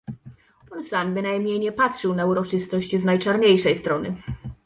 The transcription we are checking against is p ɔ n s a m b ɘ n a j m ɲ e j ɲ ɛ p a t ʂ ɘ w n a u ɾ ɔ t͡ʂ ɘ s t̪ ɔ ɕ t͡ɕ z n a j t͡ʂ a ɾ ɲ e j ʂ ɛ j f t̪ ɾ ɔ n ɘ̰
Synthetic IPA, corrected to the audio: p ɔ n s a m b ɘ n a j m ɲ e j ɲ ɛ p a t ʂ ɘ w n a u ɾ ɔ t͡ʂ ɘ s t̪ ɔ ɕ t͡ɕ z n a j t͡ʂ a ɾ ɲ e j ʂ ɛ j s t̪ ɾ ɔ n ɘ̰